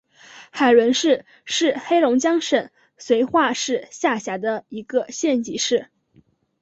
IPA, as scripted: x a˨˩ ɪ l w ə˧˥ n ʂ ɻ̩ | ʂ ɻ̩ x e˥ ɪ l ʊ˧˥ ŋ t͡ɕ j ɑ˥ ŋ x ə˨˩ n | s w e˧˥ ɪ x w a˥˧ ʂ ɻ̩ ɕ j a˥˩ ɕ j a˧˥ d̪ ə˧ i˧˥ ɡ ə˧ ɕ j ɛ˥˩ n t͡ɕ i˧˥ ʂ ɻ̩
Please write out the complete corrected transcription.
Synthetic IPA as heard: x a˨˩ ɪ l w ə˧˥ n ʂ ɻ̩ | ʂ ɻ̩ x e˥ ɪ l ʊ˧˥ ŋ t͡ɕ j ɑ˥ ŋ ʂ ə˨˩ n | s w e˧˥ ɪ x w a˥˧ ʂ ɻ̩ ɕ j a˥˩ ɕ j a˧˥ d̪ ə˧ i˧˥ ɡ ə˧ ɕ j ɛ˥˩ n t͡ɕ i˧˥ ʂ ɻ̩